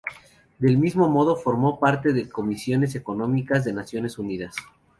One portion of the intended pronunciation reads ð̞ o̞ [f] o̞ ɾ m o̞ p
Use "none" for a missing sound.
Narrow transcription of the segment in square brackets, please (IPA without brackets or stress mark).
f